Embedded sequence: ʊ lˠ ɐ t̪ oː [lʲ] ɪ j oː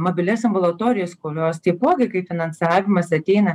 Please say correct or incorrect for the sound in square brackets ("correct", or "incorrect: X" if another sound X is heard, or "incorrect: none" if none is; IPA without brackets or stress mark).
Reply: incorrect: ɾʲ